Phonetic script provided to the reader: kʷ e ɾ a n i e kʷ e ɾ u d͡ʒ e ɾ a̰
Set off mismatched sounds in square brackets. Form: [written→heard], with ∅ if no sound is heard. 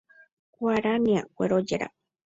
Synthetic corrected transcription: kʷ [e→a] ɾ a n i [e→a] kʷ e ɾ [u→o] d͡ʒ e ɾ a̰